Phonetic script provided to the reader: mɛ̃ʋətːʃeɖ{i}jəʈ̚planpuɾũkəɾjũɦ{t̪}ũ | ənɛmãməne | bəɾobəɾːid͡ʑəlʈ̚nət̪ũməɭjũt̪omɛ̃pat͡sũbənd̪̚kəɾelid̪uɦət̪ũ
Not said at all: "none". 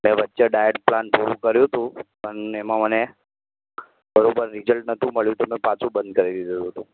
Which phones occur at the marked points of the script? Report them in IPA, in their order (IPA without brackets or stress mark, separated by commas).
a, t̪